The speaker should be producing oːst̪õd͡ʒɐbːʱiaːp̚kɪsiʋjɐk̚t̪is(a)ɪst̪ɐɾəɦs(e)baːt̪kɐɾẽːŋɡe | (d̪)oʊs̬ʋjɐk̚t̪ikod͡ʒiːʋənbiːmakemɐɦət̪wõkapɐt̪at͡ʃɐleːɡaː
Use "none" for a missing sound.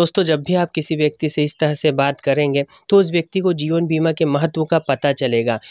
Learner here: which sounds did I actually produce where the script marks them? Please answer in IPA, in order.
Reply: e, e, t̪

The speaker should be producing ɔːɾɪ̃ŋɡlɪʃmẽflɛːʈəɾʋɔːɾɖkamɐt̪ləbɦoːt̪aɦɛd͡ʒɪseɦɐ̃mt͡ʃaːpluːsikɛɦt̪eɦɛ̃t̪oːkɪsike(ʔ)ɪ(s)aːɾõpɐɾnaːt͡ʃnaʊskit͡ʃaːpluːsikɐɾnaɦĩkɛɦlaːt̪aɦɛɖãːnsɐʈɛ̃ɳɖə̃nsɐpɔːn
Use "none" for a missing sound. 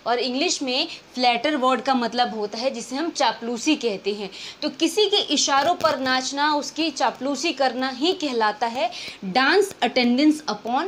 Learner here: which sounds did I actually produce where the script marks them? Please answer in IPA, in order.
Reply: ʔ, ʃ

